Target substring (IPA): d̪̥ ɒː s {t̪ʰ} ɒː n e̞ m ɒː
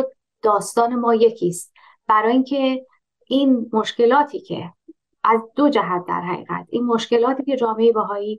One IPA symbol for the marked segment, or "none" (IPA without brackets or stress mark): t̪